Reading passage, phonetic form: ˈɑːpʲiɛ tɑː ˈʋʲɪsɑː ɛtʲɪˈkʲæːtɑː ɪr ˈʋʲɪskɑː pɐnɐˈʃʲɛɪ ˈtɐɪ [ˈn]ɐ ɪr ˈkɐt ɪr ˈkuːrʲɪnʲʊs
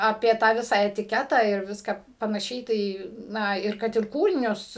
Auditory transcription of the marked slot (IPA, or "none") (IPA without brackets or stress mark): n